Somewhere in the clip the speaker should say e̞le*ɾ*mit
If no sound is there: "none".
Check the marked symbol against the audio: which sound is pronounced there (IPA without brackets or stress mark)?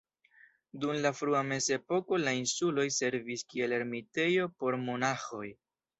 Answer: ɾ